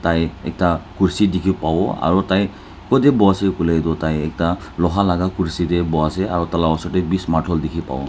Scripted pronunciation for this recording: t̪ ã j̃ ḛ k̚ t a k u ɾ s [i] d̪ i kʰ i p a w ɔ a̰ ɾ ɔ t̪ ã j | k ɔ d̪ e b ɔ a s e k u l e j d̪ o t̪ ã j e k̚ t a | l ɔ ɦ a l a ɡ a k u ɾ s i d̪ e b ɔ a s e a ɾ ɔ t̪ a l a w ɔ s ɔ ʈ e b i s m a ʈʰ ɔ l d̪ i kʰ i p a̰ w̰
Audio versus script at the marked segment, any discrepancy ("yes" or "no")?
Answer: no